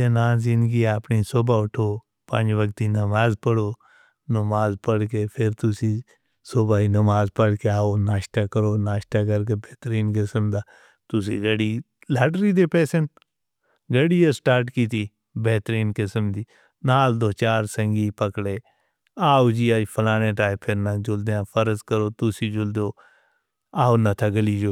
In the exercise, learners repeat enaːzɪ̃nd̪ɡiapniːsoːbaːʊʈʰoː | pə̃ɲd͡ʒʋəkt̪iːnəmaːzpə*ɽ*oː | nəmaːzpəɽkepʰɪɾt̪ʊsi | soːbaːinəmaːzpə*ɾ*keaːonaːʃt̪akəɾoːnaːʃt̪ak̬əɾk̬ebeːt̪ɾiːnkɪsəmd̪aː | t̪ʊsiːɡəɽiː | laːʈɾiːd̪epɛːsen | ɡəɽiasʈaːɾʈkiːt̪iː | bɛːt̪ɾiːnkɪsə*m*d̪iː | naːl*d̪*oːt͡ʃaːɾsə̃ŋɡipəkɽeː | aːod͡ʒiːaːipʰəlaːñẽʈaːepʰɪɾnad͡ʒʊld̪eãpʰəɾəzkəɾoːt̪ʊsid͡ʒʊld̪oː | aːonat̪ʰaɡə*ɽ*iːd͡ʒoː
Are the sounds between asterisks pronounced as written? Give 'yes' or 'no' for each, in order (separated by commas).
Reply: yes, no, yes, yes, no